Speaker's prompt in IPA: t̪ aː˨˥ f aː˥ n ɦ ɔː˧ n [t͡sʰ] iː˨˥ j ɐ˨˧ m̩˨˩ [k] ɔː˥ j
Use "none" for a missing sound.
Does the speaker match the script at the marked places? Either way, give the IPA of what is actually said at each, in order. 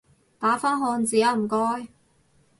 t͡s, k

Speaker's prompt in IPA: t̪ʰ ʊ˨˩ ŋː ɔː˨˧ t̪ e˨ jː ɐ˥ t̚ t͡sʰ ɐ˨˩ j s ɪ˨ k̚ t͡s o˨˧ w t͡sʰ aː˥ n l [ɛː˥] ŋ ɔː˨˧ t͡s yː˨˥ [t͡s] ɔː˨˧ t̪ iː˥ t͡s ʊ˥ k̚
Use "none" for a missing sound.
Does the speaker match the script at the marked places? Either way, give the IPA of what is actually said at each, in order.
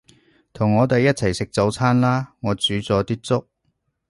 aː˥, t͡s

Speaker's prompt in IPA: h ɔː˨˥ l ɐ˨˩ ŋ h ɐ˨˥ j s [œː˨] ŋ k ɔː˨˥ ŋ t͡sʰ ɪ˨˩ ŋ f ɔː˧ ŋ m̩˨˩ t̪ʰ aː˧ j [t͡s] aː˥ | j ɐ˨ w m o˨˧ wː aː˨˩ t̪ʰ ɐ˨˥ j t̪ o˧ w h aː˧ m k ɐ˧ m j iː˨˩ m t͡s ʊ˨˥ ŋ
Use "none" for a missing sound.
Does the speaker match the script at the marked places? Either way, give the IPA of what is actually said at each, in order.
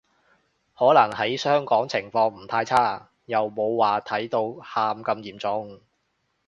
œː˥, t͡sʰ

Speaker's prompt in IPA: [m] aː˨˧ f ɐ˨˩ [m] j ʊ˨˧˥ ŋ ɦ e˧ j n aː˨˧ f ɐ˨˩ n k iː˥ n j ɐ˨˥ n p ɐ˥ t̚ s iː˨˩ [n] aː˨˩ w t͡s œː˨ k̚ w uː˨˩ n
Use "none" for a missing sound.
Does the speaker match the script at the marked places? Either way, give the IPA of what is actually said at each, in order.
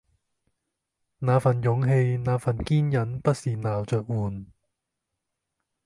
n, n, n

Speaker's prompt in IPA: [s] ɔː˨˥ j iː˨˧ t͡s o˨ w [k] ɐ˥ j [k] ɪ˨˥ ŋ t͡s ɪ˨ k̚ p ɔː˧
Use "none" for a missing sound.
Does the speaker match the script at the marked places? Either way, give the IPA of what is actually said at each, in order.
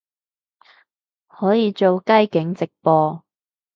h, k, k

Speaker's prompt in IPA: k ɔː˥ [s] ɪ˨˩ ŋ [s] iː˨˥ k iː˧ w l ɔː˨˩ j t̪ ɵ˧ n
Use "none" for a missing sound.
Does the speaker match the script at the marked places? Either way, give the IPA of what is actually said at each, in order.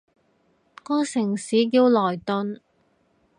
s, s

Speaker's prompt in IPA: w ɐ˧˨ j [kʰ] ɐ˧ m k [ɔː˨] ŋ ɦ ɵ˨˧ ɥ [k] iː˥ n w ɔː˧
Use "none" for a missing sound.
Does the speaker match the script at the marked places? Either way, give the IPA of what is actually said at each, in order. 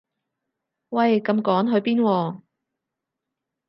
k, ɔː˨˥, p

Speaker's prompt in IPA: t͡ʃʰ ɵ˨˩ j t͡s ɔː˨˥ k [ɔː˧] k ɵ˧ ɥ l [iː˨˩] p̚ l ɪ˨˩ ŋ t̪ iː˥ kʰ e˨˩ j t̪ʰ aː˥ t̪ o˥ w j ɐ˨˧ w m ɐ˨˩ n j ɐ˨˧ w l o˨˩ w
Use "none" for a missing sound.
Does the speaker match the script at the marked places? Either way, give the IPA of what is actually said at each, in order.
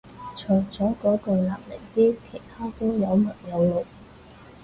ɔː˨˥, aː˨˩

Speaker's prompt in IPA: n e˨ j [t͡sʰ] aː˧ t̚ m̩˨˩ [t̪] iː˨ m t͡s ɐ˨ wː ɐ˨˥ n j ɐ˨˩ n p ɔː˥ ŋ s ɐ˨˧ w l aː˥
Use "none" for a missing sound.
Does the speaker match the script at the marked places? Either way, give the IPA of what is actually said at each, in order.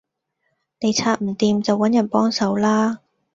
t͡sʰ, t̪

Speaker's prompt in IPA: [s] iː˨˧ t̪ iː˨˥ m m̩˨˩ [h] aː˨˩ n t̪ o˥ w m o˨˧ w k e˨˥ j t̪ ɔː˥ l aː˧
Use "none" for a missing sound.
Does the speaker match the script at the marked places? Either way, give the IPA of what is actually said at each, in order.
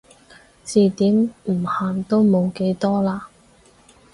t͡s, h

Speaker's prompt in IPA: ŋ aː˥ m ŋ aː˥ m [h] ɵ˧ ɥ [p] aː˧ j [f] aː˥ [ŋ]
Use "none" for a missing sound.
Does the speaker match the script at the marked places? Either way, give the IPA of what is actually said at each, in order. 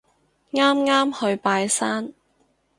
h, p, s, n

